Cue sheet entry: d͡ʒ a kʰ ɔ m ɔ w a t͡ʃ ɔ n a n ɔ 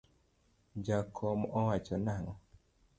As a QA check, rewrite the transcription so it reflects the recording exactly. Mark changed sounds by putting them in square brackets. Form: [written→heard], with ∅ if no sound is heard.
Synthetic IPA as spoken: d͡ʒ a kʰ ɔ m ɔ w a t͡ʃ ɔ n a [n→ŋ] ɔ